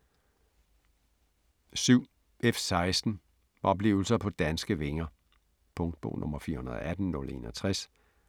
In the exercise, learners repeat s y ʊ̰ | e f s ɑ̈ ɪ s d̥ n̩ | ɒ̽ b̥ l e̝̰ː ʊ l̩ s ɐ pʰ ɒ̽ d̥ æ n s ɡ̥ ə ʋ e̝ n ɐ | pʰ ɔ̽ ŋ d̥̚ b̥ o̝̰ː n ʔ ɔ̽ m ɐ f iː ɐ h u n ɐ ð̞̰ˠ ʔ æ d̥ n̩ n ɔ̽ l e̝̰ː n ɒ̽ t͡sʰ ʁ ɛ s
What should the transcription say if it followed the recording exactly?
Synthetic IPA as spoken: s y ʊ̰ | e f s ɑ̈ ɪ s d̥ n̩ | ɒ̽ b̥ l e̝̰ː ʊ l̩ s ɐ pʰ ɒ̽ d̥ æ n s ɡ̥ ə ʋ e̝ ŋ ɐ | pʰ ɔ̽ ŋ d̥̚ b̥ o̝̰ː n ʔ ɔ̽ m ɐ f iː ɐ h u n ɐ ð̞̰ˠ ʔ æ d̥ n̩ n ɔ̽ l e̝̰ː n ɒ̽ t͡sʰ ʁ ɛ s